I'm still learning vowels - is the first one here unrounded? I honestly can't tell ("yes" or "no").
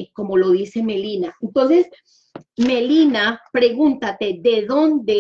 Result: no